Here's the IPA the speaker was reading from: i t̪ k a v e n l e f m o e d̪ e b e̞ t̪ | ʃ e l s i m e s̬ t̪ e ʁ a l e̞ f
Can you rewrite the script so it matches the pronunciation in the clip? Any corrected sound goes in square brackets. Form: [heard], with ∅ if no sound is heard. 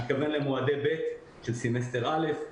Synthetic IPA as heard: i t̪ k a v e n l e [∅] m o [a] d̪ e b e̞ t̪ | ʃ e l s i m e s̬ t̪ e ʁ a l e̞ f